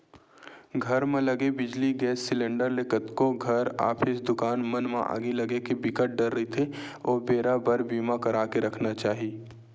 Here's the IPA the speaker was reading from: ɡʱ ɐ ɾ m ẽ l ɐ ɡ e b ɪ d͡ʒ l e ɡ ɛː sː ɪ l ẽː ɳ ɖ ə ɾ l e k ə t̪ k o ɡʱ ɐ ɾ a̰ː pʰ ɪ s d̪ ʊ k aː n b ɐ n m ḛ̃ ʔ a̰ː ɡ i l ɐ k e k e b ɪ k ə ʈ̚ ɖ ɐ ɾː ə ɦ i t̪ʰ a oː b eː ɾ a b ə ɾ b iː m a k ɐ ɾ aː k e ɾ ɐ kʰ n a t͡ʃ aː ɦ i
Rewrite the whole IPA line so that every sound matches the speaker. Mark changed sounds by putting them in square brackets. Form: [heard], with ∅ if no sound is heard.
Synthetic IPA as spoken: ɡʱ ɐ ɾ m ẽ l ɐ ɡ e b ɪ d͡ʒ l [i] ɡ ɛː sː ɪ l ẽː ɳ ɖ ə ɾ l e k ə t̪ k o ɡʱ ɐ ɾ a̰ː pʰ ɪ s d̪ ʊ k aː n [m] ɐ n m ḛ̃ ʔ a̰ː ɡ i l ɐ [ɡ] e k e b ɪ k ə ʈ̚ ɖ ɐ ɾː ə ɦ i t̪ʰ [e] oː b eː ɾ a b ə ɾ b iː m a k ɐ ɾ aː k e ɾ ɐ kʰ n a t͡ʃ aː ɦ i